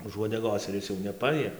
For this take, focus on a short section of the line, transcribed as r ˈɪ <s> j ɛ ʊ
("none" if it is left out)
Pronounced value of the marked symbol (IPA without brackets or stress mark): s